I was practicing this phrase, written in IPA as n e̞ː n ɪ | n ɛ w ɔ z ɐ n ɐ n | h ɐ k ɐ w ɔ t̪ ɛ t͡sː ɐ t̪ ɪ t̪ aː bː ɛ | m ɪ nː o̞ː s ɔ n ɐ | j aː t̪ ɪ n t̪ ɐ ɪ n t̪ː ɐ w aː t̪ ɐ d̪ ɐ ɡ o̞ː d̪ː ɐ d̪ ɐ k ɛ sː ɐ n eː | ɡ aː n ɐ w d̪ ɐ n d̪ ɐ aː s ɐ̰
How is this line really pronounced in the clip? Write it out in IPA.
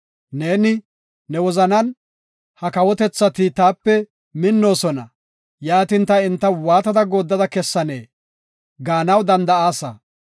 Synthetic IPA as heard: n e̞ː n ɪ | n ɛ w ɔ z ɐ n ɐ n | h ɐ k ɐ w ɔ t̪ ɛ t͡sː ɐ t̪ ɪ t̪ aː pː ɛ | m ɪ nː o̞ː s ɔ n ɐ | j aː t̪ ɪ n t̪ ɐ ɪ n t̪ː ɐ w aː t̪ ɐ d̪ ɐ ɡ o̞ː d̪ː ɐ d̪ ɐ k ɛ sː ɐ n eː | ɡ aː n ɐ w d̪ ɐ n d̪ ɐ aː s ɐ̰

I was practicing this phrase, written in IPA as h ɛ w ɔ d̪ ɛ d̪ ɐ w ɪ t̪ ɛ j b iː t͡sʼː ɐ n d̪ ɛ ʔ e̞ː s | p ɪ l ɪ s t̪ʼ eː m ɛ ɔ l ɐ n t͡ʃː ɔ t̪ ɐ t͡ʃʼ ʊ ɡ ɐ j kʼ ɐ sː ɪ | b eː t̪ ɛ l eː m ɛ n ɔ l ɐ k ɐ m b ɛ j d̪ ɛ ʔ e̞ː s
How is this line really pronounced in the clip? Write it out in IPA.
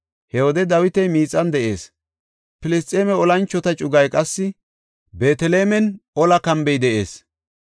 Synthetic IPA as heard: h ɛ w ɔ d̪ ɛ d̪ ɐ w ɪ t̪ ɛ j m iː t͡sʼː ɐ n d̪ ɛ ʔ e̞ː s | p ɪ l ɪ s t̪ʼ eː m ɛ ɔ l ɐ n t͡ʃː ɔ t̪ ɐ t͡ʃʼ ʊ ɡ ɐ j kʼ ɐ sː ɪ | b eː t̪ ɛ l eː m ɛ n ɔ l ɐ k ɐ m b ɛ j d̪ ɛ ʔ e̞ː s

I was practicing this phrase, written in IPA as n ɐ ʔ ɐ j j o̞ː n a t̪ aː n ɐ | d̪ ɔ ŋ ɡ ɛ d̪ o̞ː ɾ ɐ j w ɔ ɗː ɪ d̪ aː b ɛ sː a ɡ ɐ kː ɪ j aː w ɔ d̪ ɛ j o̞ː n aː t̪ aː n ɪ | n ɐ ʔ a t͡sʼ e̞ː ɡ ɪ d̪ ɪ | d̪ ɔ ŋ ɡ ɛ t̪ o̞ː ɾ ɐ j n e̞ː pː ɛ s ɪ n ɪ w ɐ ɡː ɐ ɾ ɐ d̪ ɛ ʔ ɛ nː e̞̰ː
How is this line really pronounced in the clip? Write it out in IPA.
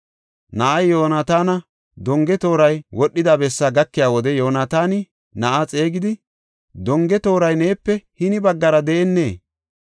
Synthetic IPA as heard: n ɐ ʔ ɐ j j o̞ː n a t̪ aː n ɐ | d̪ ɔ ŋ ɡ ɛ t̪ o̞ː ɾ ɐ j w ɔ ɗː ɪ d̪ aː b ɛ sː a ɡ ɐ kː ɪ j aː w ɔ d̪ ɛ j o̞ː n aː t̪ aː n ɪ | n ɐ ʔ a t͡sʼ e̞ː ɡ ɪ d̪ ɪ | d̪ ɔ ŋ ɡ ɛ t̪ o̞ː ɾ ɐ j n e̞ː pː ɛ h ɪ n ɪ b ɐ ɡː ɐ ɾ ɐ d̪ ɛ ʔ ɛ nː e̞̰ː

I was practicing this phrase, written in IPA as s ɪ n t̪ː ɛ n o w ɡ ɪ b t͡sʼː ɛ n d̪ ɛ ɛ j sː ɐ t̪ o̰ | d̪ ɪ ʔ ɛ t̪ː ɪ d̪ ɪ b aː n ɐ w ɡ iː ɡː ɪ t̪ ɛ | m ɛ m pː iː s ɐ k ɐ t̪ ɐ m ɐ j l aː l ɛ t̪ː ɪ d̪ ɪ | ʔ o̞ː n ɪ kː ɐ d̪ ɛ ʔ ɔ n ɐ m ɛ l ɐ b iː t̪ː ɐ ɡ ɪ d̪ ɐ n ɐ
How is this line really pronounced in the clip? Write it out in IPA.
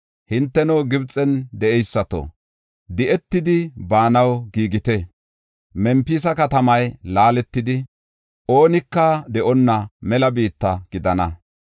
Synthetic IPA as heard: h ɪ n t̪ː ɛ n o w ɡ ɪ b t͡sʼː ɛ n d̪ ɛ ɛ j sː ɐ t̪ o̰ | d̪ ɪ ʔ ɛ t̪ː ɪ d̪ ɪ b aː n ɐ w ɡ iː ɡ ɪ t̪ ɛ | m ɛ m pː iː s ɐ k ɐ t̪ ɐ m ɐ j l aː l ɛ t̪ː ɪ d̪ ɪ | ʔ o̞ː n ɪ kː ɐ d̪ ɛ ʔ ɔ nː ɐ m ɛ l ɐ b iː t̪ː ɐ ɡ ɪ d̪ ɐ n ɐ

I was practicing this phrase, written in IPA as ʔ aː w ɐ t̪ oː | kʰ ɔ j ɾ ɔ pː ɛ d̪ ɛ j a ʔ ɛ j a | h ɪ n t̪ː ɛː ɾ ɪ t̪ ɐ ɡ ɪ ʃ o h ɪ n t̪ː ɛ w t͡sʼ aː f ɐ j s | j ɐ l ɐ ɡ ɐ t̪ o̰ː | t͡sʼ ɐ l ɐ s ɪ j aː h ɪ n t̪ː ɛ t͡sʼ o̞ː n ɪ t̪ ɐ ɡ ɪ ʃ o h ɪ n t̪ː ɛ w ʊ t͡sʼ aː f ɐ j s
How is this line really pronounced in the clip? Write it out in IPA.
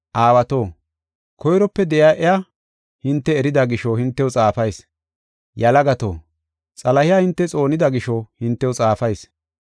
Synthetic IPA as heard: ʔ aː w ɐ t̪ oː | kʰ ɔ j ɾ ɔ pː ɛ d̪ ɛ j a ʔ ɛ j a | h ɪ n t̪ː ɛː ɾ ɪ d̪ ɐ ɡ ɪ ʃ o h ɪ n t̪ː ɛ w t͡sʼ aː f ɐ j s | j ɐ l ɐ ɡ ɐ t̪ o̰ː | t͡sʼ ɐ l ɐ h ɪ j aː h ɪ n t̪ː ɛ t͡sʼ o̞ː n ɪ d̪ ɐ ɡ ɪ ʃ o h ɪ n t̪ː ɛ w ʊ t͡sʼ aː f ɐ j s

